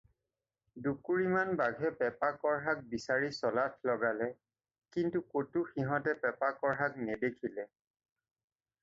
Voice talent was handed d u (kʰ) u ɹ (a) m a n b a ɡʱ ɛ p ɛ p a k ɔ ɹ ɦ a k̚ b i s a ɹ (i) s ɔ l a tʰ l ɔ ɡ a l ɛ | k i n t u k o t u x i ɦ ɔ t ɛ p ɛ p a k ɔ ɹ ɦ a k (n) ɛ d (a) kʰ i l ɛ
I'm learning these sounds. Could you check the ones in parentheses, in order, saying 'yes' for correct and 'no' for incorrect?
no, no, yes, yes, no

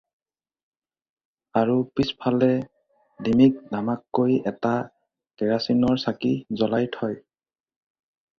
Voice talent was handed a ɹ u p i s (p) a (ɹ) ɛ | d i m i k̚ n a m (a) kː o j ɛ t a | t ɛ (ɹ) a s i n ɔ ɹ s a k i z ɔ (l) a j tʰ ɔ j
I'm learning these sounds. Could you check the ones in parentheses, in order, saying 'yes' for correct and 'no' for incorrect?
no, no, yes, yes, yes

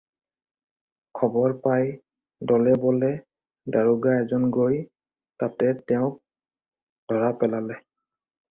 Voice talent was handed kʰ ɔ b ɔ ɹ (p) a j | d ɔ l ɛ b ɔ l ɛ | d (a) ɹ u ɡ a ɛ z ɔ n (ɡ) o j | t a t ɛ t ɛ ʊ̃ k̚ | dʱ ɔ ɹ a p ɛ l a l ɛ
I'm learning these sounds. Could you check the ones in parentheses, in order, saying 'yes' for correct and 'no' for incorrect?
yes, yes, yes

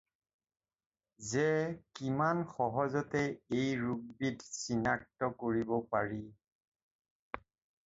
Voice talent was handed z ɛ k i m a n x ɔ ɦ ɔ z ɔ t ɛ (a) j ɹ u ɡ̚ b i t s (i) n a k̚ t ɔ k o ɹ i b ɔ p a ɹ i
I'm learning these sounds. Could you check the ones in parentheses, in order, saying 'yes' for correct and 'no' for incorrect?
no, yes

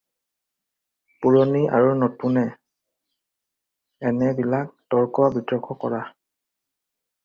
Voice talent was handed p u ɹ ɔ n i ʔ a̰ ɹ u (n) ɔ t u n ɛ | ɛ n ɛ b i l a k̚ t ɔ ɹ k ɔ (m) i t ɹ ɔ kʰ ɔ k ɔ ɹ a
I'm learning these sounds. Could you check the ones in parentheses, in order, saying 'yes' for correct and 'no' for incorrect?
yes, no

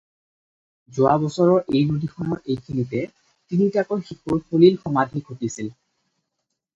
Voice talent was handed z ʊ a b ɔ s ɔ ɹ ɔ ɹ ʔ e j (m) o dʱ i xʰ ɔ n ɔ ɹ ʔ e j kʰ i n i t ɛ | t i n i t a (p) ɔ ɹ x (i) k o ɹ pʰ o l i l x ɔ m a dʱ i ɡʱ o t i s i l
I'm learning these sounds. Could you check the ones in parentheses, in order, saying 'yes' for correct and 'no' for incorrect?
no, no, yes

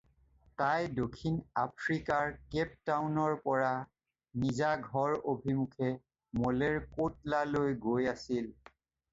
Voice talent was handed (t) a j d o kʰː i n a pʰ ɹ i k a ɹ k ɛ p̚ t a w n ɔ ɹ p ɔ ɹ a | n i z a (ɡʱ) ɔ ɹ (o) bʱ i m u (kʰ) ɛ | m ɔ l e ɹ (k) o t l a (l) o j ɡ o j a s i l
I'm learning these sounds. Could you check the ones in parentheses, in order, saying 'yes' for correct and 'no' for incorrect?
yes, yes, yes, yes, yes, yes

